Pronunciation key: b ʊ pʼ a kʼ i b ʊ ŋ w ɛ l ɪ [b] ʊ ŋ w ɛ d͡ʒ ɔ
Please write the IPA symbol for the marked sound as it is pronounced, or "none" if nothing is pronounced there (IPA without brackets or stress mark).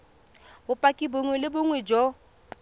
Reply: b